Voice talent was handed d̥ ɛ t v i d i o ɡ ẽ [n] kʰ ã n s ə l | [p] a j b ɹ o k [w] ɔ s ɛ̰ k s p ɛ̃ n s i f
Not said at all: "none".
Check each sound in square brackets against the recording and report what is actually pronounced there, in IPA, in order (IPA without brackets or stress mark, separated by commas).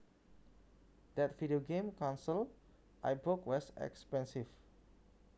m, ʔ, w